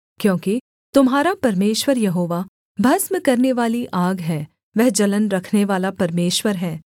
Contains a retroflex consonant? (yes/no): no